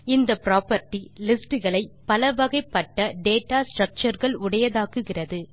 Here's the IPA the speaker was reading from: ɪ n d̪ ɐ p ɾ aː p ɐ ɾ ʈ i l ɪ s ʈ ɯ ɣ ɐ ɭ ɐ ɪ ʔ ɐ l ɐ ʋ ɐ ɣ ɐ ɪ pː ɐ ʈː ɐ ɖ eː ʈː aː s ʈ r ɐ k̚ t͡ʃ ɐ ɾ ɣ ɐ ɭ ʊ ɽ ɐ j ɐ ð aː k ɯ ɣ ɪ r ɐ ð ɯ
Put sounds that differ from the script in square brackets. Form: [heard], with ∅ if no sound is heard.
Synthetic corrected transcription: ɪ n d̪ ɐ p ɾ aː p ɐ ɾ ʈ i l ɪ s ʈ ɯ ɣ ɐ ɭ ɐ ɪ [p] ɐ l ɐ ʋ ɐ ɣ ɐ ɪ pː ɐ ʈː ɐ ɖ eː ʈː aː s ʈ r ɐ k̚ t͡ʃ ɐ ɾ ɣ ɐ ɭ ʊ ɽ ɐ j ɐ ð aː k ɯ ɣ ɪ r ɐ ð ɯ